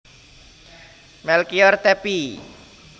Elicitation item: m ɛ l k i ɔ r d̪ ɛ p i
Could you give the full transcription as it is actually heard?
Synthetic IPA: m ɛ l k i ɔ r t̪ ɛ p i